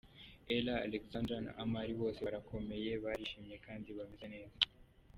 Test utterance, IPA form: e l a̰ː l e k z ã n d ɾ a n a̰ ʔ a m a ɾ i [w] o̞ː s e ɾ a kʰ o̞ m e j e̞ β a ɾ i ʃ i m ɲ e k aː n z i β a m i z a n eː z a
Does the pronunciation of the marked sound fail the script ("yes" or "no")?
yes